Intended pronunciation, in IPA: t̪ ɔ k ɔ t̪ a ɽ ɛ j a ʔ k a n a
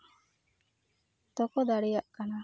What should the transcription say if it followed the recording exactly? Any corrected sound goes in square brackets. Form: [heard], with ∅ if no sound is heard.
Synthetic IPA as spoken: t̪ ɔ k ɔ [d̪] a ɽ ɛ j a ʔ k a n a

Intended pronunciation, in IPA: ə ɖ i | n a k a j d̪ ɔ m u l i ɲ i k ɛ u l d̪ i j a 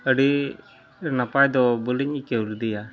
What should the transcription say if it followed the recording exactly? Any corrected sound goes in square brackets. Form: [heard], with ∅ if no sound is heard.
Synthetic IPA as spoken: ə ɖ i | n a [p] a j d̪ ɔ [b] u l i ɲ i k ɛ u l d̪ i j a

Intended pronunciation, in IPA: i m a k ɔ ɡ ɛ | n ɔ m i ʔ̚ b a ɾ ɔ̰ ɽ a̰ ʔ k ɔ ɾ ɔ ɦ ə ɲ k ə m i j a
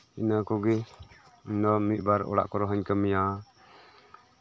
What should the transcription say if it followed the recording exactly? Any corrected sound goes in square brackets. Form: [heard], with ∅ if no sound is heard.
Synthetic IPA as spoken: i [n] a k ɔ ɡ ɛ | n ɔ m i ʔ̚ b a ɾ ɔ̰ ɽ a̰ ʔ k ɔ ɾ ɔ ɦ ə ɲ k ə m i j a

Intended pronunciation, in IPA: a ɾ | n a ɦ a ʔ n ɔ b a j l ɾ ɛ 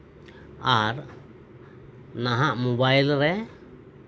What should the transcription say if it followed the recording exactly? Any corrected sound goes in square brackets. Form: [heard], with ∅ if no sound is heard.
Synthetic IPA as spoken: a ɾ | n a ɦ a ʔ [m] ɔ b a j l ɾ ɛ

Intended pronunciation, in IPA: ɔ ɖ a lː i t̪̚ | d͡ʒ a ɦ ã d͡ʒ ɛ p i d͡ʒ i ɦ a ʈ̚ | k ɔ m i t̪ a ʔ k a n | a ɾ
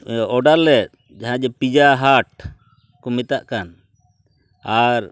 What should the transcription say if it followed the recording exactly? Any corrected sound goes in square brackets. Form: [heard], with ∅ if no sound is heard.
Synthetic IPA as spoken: ɔ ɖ a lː [ɛ] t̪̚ | d͡ʒ a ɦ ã d͡ʒ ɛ p i d͡ʒ [a] ɦ a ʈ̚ | k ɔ m i t̪ a ʔ k a n | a ɾ

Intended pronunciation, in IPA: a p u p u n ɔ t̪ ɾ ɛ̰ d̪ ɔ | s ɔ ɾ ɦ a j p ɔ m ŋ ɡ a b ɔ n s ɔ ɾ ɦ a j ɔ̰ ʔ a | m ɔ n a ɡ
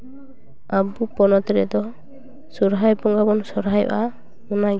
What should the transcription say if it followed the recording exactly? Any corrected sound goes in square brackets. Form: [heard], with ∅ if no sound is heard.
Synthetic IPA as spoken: a [b] u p [ɔ] n ɔ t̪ ɾ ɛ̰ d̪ ɔ | s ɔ ɾ ɦ a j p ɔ [∅] ŋ ɡ a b ɔ n s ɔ ɾ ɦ a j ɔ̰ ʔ a | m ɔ n a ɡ

